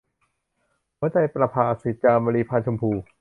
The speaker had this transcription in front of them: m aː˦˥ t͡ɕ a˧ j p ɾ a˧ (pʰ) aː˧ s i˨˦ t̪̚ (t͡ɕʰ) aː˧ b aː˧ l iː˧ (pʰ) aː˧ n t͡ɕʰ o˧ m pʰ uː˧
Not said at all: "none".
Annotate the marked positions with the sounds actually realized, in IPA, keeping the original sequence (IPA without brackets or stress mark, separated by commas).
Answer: pʰ, t͡ɕ, pʰ